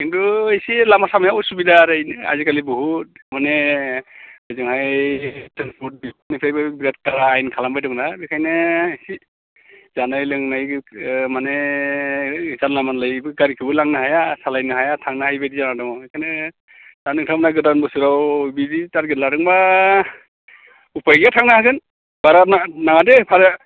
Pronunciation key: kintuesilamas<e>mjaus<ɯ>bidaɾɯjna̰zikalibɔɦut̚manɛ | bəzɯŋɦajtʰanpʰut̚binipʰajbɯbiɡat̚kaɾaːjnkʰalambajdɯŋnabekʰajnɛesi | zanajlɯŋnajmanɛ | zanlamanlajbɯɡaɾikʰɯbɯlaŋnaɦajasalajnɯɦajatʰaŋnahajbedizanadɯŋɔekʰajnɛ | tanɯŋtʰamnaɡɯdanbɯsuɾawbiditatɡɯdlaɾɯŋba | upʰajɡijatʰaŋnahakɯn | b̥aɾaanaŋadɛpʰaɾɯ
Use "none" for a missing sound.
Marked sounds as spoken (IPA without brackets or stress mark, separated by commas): a, u